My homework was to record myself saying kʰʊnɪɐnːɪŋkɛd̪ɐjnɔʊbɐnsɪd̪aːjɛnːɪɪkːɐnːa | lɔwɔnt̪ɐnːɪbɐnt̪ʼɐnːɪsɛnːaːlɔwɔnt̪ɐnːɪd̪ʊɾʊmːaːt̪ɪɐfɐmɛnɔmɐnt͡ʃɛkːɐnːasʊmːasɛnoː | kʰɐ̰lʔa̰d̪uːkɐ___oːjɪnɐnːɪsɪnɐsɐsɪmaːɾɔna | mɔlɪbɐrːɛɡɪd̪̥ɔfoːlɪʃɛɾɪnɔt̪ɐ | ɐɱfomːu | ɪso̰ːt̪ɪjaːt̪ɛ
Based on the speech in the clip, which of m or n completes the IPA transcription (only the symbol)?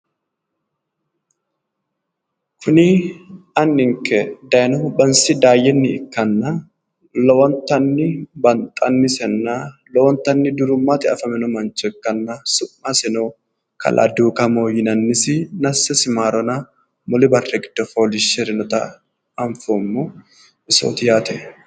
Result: m